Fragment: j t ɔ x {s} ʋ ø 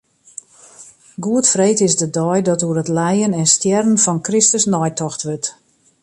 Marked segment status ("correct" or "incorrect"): incorrect